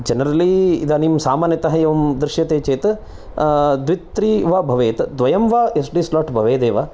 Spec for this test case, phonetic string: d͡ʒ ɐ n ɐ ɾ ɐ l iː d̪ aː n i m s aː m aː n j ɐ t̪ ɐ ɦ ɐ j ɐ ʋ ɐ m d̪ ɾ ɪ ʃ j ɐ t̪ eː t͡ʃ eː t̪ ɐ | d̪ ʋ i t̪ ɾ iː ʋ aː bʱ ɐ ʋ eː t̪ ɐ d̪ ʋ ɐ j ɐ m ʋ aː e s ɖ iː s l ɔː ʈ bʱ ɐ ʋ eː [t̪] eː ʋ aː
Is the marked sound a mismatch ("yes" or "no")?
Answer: yes